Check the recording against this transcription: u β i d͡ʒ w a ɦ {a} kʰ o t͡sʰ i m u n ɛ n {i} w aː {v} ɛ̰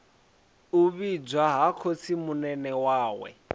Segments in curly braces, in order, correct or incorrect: correct, incorrect: ɛ, incorrect: w

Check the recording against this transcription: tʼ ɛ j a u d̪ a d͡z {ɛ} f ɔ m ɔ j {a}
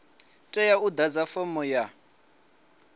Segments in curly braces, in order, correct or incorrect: incorrect: a, correct

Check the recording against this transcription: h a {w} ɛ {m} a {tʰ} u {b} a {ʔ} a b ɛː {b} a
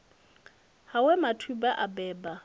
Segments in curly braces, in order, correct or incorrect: correct, correct, correct, correct, correct, correct

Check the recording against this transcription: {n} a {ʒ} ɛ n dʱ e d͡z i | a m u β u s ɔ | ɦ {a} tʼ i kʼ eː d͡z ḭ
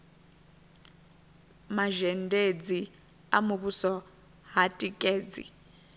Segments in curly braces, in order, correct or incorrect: incorrect: m, correct, correct

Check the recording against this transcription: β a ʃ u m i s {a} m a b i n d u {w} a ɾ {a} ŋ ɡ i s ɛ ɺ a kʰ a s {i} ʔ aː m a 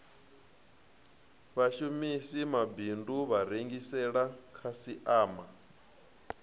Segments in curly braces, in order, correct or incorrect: incorrect: i, incorrect: β, incorrect: e, correct

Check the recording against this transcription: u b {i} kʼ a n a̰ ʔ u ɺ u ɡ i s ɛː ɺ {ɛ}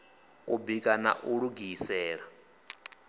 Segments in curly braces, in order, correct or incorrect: correct, incorrect: a

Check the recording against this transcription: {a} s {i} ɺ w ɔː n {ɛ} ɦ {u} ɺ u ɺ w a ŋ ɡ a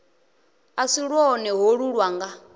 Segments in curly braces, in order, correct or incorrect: correct, correct, correct, incorrect: o

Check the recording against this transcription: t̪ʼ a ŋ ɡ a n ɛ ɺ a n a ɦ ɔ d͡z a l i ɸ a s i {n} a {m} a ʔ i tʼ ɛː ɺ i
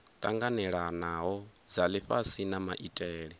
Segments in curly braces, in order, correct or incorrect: correct, correct

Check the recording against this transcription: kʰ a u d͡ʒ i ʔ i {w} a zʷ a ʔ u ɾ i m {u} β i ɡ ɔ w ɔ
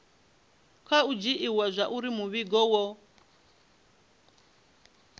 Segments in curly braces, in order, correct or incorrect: correct, correct

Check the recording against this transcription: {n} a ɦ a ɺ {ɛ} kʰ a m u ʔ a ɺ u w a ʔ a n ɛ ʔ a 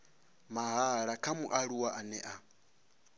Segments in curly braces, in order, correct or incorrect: incorrect: m, incorrect: a

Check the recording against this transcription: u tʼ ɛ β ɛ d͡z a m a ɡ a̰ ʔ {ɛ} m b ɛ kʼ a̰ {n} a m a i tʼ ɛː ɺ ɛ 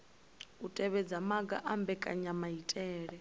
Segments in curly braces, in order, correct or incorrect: incorrect: a, incorrect: ɲ

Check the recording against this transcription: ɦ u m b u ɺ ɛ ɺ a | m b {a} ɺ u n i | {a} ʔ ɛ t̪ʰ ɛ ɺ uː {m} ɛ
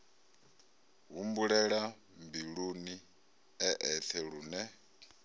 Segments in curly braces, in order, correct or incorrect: incorrect: i, incorrect: ɛ, incorrect: n

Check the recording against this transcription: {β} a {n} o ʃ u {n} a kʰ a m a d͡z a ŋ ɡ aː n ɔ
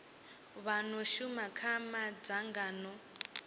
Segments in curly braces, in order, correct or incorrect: correct, correct, incorrect: m

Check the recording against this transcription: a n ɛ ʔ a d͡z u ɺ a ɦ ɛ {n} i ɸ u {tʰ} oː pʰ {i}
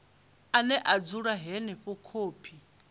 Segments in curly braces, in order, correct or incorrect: correct, incorrect: kʰ, correct

